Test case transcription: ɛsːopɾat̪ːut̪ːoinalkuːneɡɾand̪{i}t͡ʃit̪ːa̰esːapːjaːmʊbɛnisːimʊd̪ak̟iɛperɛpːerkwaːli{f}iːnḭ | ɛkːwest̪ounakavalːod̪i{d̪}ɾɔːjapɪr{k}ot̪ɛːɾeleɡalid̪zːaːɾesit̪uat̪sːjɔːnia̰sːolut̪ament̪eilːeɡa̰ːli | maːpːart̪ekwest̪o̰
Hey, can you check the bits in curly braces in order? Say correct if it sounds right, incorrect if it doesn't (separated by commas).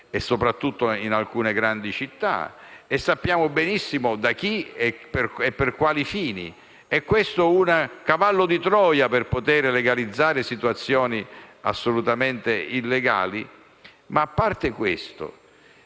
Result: correct, correct, incorrect, incorrect